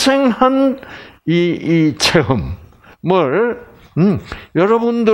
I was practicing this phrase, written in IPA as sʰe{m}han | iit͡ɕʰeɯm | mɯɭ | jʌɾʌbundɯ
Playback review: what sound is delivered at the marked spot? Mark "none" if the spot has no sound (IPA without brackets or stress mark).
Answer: ŋ